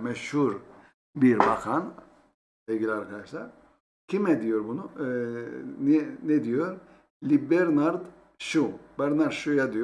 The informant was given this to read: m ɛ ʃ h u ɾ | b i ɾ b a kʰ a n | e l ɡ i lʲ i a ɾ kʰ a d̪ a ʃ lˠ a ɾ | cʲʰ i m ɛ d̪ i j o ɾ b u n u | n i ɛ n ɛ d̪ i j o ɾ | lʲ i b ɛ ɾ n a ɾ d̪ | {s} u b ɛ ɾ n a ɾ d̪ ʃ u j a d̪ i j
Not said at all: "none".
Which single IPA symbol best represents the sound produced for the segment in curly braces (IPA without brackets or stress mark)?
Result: ʃ